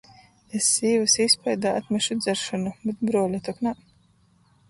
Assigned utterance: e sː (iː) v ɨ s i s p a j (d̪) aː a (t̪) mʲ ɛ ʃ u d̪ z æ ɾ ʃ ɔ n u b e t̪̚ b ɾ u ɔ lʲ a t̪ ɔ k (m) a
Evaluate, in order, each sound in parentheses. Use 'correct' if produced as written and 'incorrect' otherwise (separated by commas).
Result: correct, correct, correct, incorrect